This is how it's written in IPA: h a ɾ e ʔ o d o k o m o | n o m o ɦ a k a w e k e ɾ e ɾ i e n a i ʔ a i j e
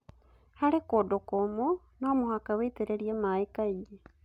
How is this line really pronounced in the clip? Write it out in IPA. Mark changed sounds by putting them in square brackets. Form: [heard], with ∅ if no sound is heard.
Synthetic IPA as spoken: h a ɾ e [k] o d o k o m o | n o m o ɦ a k a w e [t] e ɾ e ɾ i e [m] a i [k] a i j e